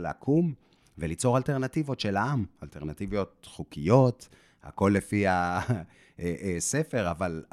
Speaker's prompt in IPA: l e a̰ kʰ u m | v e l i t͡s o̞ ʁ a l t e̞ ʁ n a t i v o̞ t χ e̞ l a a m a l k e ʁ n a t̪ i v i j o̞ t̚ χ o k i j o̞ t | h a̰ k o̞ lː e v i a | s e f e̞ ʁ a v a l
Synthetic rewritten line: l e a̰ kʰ u m | v e l i t͡s o̞ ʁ a l t e̞ ʁ n a t i v o̞ t ʃ e̞ l a a m a l t e ʁ n a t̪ i v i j o̞ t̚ χ u k i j o̞ t | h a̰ k o̞ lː e f i a | s e f e̞ ʁ a v a l